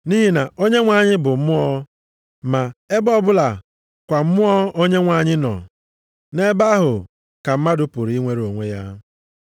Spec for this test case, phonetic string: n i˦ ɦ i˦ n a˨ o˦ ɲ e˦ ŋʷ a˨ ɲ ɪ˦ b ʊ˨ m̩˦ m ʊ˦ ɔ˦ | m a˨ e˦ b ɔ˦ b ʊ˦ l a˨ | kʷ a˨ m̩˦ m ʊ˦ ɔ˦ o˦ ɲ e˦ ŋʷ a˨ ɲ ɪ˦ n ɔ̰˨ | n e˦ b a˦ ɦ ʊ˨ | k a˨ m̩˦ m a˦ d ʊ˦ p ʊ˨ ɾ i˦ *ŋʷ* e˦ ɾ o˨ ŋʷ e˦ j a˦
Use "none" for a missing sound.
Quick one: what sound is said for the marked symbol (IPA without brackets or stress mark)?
ŋʷ